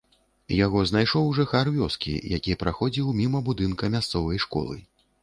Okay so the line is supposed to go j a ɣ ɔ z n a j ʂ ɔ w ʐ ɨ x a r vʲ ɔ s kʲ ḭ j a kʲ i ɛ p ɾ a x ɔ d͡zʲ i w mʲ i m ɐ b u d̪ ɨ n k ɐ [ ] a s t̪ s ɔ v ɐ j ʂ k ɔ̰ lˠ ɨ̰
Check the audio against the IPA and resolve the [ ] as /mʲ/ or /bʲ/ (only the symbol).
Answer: mʲ